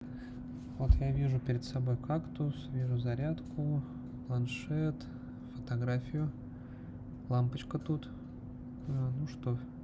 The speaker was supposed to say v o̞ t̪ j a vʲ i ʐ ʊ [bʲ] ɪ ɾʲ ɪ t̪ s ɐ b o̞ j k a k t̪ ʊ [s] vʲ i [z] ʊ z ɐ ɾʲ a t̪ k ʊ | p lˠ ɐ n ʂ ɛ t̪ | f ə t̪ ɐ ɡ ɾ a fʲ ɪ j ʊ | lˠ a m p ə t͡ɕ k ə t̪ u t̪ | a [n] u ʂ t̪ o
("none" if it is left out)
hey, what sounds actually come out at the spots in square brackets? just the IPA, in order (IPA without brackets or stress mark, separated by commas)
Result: pʲ, s, ʐ, n